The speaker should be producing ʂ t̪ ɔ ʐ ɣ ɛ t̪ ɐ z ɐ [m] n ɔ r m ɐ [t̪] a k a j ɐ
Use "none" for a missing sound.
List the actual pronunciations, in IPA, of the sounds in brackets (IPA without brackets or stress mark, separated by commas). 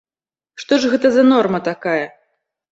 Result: none, t̪